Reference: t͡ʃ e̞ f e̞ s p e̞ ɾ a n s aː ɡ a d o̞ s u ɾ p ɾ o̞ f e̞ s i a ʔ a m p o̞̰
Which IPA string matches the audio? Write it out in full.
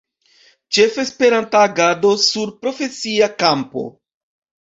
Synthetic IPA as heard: t͡ʃ e̞ f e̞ s p e̞ ɾ a n t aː ɡ a d o̞ s u ɾ p ɾ o̞ f e̞ s i a k a m p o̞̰